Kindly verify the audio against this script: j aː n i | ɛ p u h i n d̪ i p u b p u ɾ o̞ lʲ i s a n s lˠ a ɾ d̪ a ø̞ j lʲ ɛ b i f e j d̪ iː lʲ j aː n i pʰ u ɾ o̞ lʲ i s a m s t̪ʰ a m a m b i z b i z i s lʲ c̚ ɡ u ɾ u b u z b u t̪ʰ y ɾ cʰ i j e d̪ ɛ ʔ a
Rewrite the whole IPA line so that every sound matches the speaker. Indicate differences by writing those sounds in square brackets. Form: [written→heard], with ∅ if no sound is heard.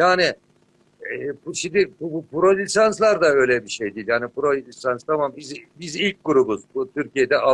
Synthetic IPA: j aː n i | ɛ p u [h→ʃ] i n d̪ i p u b p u ɾ o̞ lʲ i s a n s lˠ a ɾ d̪ a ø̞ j lʲ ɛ b i [f→ʃ] e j d̪ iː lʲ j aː n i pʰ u ɾ o̞ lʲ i s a [m→n] s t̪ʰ a m a m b i z b i z i [s→∅] lʲ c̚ ɡ u ɾ u b u z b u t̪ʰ y ɾ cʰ i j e d̪ ɛ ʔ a